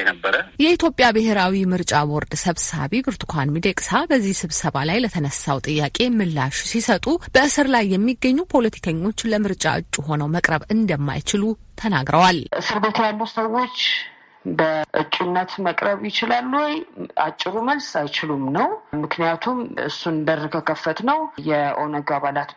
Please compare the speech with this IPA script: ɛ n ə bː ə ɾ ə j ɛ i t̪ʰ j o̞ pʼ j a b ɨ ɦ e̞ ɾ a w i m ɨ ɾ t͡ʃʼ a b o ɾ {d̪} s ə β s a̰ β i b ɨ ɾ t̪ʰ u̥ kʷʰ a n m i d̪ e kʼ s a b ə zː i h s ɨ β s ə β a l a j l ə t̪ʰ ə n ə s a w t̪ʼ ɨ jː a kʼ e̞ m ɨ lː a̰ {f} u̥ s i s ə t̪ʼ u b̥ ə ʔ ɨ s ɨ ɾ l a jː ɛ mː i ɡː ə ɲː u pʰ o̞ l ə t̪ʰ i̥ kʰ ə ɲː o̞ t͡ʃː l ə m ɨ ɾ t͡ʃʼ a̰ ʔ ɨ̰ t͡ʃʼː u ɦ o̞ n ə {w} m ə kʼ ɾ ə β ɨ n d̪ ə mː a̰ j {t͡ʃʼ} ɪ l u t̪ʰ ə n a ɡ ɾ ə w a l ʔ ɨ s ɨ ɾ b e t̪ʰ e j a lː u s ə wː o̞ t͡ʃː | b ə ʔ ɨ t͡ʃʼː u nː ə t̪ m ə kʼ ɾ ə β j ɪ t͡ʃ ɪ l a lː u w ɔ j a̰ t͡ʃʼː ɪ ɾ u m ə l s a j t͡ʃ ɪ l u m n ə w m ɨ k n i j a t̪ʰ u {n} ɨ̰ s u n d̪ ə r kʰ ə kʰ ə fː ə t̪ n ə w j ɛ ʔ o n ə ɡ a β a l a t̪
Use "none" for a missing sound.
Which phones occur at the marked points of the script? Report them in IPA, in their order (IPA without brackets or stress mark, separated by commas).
d̪, ʃ, w, t͡ʃ, m